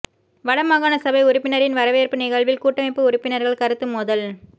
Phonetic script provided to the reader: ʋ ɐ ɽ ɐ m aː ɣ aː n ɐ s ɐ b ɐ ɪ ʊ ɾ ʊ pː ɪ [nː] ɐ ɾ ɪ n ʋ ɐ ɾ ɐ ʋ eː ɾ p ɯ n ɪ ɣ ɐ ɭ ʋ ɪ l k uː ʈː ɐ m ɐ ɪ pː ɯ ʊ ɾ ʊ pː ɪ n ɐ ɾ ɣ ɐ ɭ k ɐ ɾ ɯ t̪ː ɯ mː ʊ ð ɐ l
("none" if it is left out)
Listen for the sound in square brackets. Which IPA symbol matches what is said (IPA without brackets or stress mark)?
n